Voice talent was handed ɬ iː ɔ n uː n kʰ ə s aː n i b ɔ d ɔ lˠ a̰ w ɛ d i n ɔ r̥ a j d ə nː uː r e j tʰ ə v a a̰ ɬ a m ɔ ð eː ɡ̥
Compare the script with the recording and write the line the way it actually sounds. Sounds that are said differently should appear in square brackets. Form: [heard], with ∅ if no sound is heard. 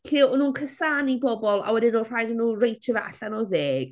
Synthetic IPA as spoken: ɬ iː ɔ n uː n kʰ ə s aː n i b ɔ [b] ɔ lˠ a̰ w ɛ d [ɪ] n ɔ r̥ a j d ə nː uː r e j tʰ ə v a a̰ ɬ a [n] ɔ ð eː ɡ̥